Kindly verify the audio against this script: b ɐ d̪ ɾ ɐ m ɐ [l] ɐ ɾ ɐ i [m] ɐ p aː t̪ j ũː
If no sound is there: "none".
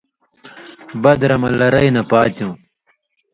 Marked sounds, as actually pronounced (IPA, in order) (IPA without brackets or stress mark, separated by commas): l, n